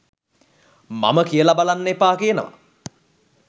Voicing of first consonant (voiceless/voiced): voiced